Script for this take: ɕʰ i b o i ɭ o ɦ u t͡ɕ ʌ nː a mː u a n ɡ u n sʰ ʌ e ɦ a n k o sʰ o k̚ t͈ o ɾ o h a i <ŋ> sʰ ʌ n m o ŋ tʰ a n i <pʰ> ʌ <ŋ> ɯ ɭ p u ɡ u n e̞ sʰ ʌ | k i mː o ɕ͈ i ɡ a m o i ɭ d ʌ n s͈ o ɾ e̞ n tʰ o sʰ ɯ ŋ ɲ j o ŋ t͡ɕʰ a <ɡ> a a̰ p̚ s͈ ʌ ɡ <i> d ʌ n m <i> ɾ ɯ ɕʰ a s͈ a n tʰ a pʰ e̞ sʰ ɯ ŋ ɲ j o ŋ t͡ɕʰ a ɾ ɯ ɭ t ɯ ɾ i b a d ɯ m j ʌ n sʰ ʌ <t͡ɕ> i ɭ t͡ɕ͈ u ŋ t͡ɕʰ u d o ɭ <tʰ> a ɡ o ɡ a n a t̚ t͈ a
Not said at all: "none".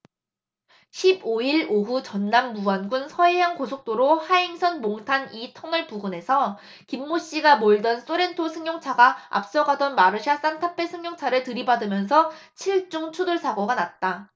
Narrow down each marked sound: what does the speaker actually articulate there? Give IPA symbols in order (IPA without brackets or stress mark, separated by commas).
ŋ, tʰ, ŋ, ɡ, a, a, t͡ɕʰ, sʰ